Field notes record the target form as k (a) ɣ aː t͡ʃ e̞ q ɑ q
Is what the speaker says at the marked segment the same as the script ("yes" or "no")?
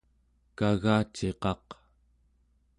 yes